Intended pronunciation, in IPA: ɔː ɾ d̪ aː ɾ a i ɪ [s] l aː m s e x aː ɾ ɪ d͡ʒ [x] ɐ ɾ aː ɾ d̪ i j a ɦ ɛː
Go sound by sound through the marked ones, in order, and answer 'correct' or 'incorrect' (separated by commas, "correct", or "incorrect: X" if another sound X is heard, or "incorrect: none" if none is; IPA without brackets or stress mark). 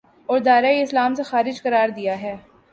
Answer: correct, incorrect: k